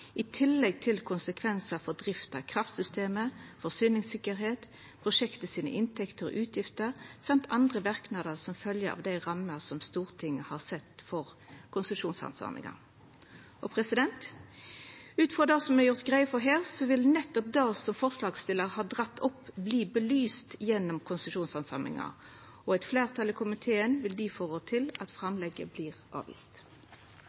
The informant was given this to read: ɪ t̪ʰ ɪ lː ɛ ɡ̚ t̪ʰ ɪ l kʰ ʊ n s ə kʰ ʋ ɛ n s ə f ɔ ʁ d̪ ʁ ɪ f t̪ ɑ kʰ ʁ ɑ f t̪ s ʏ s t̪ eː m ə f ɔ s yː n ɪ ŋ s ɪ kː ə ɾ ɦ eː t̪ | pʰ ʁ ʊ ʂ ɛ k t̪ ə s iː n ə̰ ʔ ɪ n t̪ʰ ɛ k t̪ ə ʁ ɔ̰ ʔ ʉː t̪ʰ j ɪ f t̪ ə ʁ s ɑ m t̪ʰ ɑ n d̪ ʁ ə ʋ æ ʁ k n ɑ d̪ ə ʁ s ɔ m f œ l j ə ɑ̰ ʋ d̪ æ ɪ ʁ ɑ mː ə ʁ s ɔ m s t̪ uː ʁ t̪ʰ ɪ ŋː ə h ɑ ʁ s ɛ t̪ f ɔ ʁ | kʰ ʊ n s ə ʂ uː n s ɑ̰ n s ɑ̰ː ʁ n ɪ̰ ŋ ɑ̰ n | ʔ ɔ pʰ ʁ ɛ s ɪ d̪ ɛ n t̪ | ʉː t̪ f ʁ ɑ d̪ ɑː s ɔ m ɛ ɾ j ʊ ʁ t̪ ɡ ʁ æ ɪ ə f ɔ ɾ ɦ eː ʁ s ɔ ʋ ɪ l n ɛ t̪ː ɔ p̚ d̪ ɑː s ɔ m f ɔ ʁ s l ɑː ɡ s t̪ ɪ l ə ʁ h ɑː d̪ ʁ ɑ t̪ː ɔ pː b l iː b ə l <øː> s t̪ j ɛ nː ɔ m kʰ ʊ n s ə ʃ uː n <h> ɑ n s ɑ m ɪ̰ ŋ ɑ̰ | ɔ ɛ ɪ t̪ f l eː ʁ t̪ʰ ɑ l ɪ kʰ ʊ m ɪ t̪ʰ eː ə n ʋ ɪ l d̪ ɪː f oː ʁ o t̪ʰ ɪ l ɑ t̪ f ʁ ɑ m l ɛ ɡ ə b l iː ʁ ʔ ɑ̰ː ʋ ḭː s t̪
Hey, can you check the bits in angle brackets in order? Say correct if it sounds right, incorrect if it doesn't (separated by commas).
incorrect, incorrect